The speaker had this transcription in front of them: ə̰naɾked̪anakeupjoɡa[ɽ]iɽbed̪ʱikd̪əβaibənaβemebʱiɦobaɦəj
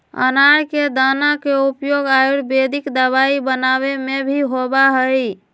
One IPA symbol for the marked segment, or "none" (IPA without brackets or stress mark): none